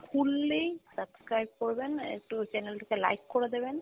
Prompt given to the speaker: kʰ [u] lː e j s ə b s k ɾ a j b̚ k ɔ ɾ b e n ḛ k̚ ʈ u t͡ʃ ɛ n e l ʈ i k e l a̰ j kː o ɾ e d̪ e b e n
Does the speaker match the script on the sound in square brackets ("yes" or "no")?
yes